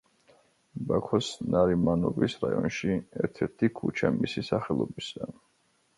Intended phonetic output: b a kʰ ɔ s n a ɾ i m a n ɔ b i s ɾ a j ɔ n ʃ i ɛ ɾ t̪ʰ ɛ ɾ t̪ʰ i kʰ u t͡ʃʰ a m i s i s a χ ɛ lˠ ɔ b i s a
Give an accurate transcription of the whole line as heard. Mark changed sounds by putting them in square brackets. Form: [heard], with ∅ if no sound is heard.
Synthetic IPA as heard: b a kʰ ɔ s n a ɾ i m a n ɔ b i s ɾ a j ɔ n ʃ i ɛ ɾ t̪ʰ ɛ ɾ t̪ʰ i kʰ u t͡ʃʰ a m i s i s a χ ɛ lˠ ɔ b i s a